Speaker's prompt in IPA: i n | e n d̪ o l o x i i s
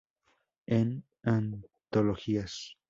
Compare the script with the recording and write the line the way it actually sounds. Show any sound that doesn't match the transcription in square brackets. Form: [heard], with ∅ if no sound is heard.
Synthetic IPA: [e] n | [a] n [t̪] o l o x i [a] s